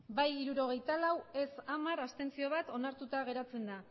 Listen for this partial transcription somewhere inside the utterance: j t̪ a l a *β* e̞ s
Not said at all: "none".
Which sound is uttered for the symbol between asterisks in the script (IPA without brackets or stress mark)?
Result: w